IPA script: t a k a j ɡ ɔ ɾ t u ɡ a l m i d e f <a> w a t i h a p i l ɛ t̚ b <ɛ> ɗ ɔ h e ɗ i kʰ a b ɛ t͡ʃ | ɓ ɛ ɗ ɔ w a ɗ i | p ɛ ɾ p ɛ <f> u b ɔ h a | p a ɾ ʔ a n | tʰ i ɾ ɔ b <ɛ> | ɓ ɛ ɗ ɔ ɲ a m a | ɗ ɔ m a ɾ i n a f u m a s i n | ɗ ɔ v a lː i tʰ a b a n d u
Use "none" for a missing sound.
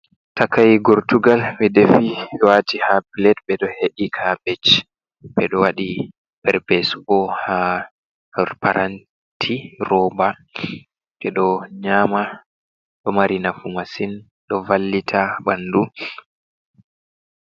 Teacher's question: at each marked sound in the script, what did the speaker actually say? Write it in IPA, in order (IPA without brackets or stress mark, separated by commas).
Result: i, ɛ, s, a